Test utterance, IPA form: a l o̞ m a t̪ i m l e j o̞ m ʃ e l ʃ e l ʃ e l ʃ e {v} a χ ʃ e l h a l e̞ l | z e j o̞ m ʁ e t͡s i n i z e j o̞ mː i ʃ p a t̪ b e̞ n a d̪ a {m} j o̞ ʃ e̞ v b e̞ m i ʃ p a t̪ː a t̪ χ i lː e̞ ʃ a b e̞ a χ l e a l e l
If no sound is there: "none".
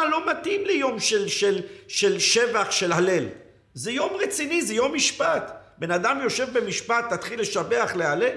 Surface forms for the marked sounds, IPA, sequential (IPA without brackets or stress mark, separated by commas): v, m